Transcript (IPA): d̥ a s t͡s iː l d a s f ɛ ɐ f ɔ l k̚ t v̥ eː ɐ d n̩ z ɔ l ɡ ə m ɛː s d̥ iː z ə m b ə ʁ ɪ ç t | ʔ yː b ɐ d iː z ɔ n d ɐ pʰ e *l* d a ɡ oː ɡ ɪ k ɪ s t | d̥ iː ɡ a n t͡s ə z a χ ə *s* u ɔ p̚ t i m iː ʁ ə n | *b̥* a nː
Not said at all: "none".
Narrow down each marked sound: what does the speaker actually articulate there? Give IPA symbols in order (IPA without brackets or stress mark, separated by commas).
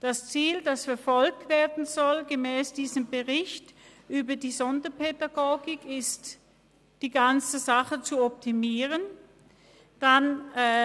none, t͡s, d̥